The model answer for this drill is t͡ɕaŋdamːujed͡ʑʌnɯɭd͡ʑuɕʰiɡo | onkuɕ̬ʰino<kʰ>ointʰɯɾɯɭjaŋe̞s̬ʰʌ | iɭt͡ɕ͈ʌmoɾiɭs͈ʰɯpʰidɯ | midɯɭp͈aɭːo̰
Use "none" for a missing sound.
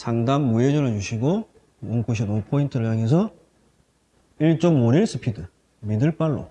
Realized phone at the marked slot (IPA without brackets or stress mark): pʰ